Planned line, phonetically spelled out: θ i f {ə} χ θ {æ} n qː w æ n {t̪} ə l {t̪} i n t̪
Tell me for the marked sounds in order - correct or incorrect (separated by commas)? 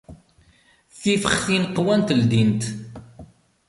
correct, incorrect, correct, incorrect